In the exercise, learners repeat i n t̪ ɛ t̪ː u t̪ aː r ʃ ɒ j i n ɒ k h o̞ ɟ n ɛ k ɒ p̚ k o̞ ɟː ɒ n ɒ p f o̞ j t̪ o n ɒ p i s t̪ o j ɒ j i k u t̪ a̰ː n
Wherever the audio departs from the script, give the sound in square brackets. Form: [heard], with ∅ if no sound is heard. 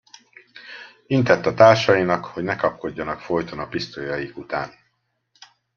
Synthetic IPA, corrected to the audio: i n t̪ ɛ t̪ː [ɒ] t̪ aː r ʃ ɒ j i n ɒ k h o̞ ɟ n ɛ k ɒ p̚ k o̞ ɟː ɒ n ɒ [k] f o̞ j t̪ o n ɒ p i s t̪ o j ɒ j i k u t̪ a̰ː n

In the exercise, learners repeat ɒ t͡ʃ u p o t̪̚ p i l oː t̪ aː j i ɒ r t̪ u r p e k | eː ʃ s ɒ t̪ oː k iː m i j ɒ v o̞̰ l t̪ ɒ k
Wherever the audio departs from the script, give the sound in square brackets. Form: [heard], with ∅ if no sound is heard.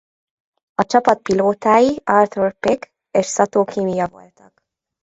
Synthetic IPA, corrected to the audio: ɒ t͡ʃ [ɒ] p [ɒ] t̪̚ p i l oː t̪ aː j i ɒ r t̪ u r p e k | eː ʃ s ɒ t̪ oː k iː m i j ɒ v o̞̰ l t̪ ɒ k

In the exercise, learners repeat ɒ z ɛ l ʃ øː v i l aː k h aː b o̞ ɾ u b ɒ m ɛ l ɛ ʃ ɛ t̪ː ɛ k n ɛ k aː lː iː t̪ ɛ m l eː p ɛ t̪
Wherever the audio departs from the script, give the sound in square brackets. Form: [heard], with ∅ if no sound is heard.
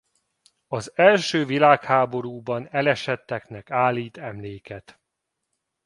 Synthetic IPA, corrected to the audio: ɒ z ɛ l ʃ øː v i l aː k h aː b o̞ ɾ [uː] b ɒ [n] ɛ l ɛ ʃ ɛ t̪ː ɛ k n ɛ k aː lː iː t̪ ɛ m l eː [k] ɛ t̪

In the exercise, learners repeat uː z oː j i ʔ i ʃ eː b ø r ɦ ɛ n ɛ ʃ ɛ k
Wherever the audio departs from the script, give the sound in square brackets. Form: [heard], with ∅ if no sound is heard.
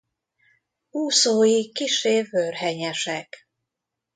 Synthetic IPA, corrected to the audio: uː [s] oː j i [k] i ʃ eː [v] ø r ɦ ɛ [ɲ] ɛ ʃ ɛ k

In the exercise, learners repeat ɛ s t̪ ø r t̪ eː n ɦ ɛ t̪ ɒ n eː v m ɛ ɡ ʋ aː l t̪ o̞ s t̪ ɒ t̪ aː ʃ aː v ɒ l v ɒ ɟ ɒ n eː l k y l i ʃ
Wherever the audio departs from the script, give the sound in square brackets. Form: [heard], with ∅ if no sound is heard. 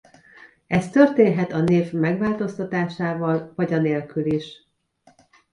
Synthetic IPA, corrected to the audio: ɛ s t̪ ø r t̪ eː n ɦ ɛ t̪ ɒ n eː v m ɛ ɡ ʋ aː l t̪ o̞ s t̪ ɒ t̪ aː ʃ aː v ɒ l v ɒ ɟ ɒ n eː l k y l i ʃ

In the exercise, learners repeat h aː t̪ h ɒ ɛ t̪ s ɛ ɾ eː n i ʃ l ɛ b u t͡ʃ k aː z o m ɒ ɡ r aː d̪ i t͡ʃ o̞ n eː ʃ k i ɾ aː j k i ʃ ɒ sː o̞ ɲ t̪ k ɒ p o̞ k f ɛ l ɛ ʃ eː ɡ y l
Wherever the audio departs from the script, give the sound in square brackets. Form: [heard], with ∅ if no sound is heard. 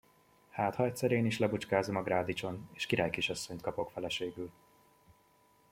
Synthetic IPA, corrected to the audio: h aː t̪ h ɒ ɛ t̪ s ɛ ɾ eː n i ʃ l ɛ b u t͡ʃ k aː z o m ɒ ɡ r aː d̪ i t͡ʃ o̞ n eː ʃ k i ɾ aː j k i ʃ ɒ sː o̞ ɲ t̪ k ɒ p o̞ k f ɛ l ɛ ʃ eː ɡ y l

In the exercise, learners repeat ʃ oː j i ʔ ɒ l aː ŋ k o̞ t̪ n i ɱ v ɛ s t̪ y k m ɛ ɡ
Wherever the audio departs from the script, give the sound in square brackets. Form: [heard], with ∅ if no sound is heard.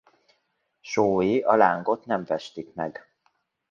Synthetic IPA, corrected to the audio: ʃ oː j i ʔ ɒ l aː ŋ [ɡ] o̞ t̪ n [ɛ] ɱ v ɛ [ʃ] t̪ [i] k m ɛ ɡ

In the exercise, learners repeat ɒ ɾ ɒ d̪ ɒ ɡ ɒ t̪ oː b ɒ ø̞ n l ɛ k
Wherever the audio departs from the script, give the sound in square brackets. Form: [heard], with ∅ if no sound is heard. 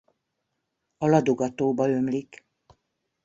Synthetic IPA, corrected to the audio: ɒ [l] ɒ d̪ [o] ɡ ɒ t̪ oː b ɒ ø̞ [m] l [i] k

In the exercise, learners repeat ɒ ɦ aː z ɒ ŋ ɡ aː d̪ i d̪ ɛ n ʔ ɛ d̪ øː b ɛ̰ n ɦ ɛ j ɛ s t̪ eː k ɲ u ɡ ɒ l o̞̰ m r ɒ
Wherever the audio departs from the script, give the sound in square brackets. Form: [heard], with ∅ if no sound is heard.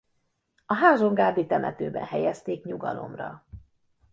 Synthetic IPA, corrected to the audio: ɒ ɦ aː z [o] ŋ ɡ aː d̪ i [t̪] ɛ [m] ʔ ɛ [t̪] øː b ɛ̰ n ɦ ɛ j ɛ s t̪ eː k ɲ u ɡ ɒ l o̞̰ m r ɒ

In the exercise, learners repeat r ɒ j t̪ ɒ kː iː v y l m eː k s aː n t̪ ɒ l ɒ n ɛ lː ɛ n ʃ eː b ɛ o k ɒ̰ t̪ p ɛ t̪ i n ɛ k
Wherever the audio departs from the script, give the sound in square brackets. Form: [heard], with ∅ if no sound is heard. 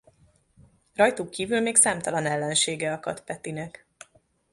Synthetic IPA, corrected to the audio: r ɒ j t̪ [u] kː iː v y l m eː k s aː [m] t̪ ɒ l ɒ n ɛ lː ɛ n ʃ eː [ɡ] ɛ [ɒ] k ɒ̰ t̪ p ɛ t̪ i n ɛ k

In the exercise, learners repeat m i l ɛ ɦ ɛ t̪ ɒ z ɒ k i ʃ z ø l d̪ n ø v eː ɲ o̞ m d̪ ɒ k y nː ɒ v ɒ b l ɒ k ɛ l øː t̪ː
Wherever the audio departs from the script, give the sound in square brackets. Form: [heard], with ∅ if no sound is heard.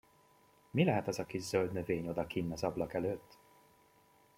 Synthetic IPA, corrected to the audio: m i l ɛ ɦ ɛ t̪ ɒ z ɒ k i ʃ z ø l d̪ n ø v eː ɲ o̞ [∅] d̪ ɒ k [i] nː ɒ [z] ɒ b l ɒ k ɛ l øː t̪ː

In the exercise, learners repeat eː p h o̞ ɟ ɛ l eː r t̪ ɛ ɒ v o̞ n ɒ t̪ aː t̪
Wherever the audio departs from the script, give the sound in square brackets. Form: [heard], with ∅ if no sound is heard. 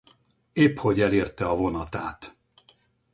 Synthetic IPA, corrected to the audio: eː p h o̞ ɟ ɛ l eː r t̪ ɛ ɒ v o̞ n ɒ t̪ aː t̪

